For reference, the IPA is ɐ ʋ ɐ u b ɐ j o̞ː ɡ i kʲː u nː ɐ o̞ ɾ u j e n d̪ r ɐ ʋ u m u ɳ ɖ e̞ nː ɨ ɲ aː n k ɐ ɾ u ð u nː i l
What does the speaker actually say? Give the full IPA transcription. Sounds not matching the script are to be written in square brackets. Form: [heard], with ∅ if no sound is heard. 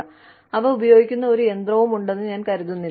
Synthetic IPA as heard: ɐ ʋ ɐ u b ɐ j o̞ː ɡ i kʲː u nː ɐ o̞ ɾ u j e n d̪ r ɐ ʋ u m u ɳ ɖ e̞ nː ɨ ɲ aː n k ɐ ɾ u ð u nː i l